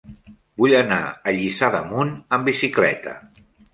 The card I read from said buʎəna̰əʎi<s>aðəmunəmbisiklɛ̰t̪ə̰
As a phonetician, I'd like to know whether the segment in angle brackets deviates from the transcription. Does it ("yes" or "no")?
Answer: no